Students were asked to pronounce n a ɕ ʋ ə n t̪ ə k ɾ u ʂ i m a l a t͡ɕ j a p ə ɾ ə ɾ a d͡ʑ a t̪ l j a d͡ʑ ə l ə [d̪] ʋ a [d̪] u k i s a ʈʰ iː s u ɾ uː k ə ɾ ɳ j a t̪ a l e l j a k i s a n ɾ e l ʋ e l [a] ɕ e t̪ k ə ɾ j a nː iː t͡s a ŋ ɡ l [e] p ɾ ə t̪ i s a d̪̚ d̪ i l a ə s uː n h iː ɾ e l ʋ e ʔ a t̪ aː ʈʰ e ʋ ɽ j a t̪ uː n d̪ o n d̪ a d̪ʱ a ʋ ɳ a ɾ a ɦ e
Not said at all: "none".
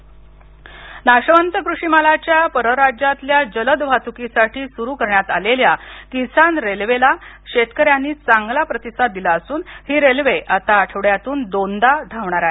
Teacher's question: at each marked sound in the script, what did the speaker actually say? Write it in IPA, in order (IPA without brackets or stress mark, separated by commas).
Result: d̪, t̪, a, a